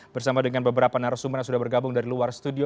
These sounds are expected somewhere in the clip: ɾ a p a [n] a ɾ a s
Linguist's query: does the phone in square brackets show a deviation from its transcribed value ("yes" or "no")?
no